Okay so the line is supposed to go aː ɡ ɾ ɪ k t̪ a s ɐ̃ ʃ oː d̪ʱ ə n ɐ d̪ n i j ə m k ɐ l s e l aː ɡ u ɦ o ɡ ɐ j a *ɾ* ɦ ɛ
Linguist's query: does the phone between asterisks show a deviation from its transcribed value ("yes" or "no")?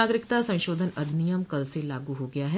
yes